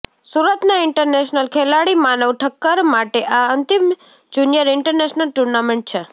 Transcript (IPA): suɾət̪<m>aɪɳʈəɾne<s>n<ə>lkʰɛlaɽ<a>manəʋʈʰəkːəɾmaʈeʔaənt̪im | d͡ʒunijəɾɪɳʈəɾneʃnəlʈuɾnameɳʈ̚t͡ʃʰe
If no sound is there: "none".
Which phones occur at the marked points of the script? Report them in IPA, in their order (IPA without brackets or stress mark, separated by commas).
n, ʃ, ə, i